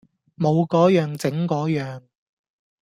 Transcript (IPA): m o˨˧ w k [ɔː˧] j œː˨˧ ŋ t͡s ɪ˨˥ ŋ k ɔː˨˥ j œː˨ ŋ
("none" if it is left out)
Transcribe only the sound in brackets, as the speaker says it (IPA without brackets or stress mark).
ɔː˨˥